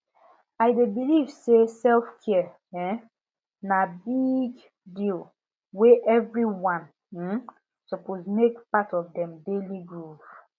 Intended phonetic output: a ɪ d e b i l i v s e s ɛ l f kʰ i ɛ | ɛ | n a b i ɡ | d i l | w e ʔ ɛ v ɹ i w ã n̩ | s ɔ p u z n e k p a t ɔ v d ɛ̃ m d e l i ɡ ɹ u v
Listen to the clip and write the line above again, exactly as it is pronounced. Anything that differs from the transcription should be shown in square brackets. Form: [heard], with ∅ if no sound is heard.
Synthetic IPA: a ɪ d e b i l i v s e s ɛ l f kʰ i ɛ | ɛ | n a b i ɡ | d i l | w e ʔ ɛ v ɹ i w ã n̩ | s ɔ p [o] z [m] e k p a t ɔ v d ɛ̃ m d e l i ɡ ɹ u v